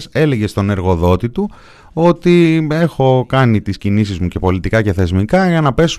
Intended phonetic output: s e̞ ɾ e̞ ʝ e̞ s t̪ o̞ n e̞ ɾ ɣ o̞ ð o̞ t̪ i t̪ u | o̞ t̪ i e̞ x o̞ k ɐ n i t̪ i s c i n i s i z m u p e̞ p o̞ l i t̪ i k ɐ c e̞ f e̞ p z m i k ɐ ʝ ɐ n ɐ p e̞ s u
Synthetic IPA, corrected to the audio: s e̞ l e̞ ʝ e̞ s t̪ o̞ n e̞ ɾ ɣ o̞ ð o̞ t̪ i t̪ u | o̞ t̪ i e̞ x o̞ k ɐ n i t̪ i s c i n i s i z m u c e̞ p o̞ l i t̪ i k ɐ c e̞ θ e̞ z m i k ɐ ʝ ɐ n ɐ p e̞ s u